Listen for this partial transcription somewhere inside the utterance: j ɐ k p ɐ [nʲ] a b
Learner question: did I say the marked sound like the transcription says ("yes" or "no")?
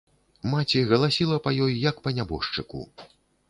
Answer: yes